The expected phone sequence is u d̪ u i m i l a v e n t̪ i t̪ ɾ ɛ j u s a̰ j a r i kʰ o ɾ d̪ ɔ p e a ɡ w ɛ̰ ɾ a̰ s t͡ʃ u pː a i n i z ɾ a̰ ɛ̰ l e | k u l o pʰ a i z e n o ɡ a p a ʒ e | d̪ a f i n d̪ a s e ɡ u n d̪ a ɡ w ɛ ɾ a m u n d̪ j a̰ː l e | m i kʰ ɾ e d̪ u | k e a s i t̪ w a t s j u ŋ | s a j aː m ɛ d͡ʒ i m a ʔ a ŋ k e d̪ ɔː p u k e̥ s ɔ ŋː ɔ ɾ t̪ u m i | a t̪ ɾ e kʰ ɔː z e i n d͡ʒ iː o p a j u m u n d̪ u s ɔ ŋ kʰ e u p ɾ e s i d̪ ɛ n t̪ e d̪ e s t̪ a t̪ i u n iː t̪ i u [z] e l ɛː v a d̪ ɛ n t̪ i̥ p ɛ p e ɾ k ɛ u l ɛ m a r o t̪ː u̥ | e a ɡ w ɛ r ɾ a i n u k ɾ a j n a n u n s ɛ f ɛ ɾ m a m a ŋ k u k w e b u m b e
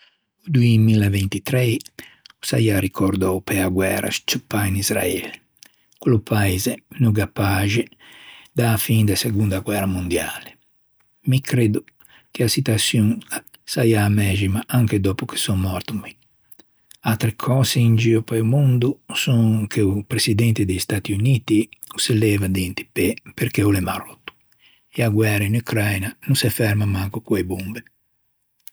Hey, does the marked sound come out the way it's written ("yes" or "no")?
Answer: no